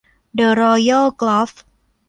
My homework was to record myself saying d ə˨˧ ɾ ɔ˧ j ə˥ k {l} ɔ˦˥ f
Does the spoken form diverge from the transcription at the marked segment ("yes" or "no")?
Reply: no